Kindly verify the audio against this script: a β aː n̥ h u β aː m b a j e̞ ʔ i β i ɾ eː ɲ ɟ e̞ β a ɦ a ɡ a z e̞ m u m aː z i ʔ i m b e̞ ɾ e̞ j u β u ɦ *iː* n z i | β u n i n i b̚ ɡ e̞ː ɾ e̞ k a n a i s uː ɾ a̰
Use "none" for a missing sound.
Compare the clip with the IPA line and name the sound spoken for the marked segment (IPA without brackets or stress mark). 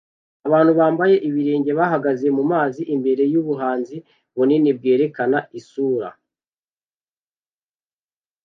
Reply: aː